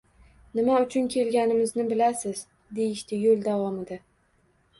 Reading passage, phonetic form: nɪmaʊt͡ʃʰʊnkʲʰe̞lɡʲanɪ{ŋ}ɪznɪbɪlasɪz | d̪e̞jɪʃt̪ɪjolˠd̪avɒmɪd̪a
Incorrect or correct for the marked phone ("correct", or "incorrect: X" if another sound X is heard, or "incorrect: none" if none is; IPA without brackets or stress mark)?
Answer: incorrect: m